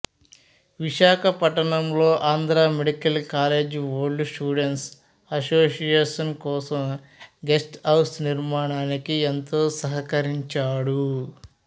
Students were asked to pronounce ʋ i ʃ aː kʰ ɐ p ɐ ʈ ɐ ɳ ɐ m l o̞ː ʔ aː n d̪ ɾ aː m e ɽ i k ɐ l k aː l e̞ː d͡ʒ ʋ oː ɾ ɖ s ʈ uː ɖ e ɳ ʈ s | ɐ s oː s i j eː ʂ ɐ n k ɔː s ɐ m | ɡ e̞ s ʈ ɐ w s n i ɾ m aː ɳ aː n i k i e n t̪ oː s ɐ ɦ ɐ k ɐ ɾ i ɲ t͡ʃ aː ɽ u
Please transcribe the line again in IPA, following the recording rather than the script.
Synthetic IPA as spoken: ʋ i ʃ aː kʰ ɐ p ɐ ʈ ɐ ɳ ɐ m l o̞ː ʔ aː n d̪ ɾ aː m e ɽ i k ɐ l k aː l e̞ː d͡ʒ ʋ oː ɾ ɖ s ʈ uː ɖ e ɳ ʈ s | ɐ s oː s i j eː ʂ ɐ n k ɔː s ɐ m | ɡ e̞ s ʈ ɐ w s n i ɾ m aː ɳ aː n i k i e n t̪ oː s ɐ ɦ ɐ k ɐ ɾ i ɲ t͡ʃ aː ɽ u